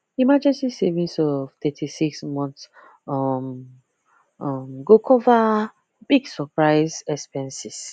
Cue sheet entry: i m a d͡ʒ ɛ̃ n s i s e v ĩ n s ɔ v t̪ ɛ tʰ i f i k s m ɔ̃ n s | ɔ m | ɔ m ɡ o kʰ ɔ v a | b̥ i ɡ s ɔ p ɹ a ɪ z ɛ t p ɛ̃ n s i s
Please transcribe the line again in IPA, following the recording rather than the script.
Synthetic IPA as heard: i m a d͡ʒ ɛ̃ n s i s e v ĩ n s ɔ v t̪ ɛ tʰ i s i k s m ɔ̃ n s | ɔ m | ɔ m ɡ o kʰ ɔ v a | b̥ i ɡ s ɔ p ɹ a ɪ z ɛ s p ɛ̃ n s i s